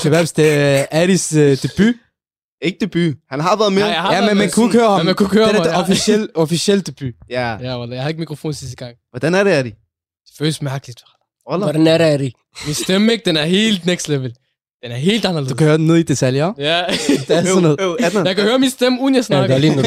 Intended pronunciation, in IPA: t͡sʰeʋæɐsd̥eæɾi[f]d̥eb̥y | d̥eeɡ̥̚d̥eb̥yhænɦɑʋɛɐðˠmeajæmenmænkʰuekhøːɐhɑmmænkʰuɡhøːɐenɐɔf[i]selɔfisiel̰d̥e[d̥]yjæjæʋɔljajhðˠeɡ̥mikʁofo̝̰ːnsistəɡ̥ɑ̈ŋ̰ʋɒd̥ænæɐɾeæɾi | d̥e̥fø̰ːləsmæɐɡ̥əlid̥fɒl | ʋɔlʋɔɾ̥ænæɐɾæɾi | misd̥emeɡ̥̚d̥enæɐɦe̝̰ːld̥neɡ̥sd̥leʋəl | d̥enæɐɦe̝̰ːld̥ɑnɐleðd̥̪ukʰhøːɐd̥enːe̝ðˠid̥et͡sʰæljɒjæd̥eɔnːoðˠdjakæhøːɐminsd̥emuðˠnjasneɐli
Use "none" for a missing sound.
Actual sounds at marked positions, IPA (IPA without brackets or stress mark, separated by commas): s, i, b̥